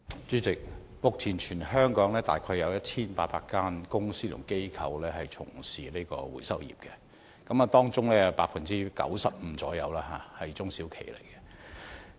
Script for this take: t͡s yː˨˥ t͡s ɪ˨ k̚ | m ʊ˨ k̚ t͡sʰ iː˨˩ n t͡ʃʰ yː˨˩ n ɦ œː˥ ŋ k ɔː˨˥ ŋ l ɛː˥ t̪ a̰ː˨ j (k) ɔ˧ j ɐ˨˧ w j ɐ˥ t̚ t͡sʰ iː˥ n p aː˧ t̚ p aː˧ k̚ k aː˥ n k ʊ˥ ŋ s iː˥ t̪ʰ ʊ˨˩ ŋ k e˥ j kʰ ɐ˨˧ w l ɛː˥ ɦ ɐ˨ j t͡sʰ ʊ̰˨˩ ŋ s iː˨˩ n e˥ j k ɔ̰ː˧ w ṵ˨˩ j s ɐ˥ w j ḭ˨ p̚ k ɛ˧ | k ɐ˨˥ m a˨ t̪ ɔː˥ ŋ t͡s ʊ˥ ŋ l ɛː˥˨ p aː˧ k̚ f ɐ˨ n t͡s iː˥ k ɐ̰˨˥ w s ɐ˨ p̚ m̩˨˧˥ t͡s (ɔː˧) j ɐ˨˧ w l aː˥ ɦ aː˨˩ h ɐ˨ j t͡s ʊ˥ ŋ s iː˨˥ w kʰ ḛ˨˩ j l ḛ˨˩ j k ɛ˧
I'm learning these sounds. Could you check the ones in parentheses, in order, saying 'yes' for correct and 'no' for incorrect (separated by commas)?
no, no